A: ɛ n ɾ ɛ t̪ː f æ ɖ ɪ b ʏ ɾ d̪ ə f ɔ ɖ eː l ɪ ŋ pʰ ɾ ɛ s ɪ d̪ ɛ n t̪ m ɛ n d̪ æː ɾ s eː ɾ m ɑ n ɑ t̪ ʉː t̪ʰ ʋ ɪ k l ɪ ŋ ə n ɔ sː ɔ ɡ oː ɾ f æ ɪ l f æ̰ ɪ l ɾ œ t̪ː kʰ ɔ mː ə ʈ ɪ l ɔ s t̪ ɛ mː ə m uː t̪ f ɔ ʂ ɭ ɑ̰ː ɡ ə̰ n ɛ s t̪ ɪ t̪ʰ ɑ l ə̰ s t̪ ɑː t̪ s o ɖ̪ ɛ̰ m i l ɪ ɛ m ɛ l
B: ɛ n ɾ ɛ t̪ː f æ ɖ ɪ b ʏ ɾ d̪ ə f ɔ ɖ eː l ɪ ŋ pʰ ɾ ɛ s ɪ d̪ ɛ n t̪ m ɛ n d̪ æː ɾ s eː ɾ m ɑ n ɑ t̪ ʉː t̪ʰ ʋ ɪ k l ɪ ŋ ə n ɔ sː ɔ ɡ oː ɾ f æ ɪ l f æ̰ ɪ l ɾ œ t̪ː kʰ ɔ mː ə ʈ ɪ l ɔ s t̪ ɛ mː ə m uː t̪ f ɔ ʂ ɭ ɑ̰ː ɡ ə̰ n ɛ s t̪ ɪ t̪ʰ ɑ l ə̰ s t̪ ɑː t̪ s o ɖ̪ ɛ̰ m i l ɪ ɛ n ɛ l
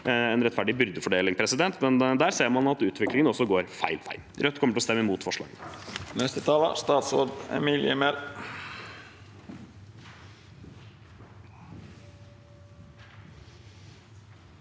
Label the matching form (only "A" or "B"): A